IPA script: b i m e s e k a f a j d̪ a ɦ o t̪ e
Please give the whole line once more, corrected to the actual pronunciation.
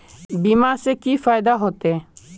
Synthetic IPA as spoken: b i m a s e k i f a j d̪ a ɦ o t̪ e